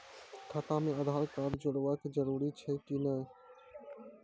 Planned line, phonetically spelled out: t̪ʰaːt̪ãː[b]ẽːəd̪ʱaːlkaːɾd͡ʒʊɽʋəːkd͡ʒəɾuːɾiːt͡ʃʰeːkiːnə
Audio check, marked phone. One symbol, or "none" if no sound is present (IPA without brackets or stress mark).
m